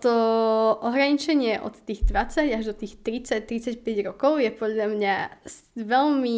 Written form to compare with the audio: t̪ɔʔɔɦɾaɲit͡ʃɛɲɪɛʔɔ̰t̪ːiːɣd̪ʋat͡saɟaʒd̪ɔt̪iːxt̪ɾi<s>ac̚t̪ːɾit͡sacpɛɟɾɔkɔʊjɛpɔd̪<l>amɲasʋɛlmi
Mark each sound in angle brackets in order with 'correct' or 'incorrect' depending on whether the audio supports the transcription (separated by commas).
incorrect, incorrect